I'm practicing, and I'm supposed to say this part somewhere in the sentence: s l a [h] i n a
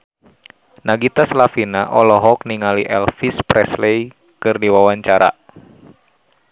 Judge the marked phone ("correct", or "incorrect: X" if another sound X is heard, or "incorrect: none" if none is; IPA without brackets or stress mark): incorrect: f